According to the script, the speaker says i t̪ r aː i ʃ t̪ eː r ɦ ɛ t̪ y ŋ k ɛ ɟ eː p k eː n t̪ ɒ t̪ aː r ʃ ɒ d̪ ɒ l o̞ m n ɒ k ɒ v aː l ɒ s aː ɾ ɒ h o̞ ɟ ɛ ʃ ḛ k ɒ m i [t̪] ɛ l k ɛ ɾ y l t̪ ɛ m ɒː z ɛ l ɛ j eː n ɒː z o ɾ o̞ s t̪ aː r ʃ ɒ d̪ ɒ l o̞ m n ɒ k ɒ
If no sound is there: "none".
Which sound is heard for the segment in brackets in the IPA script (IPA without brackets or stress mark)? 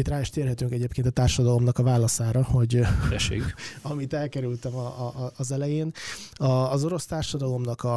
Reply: t̪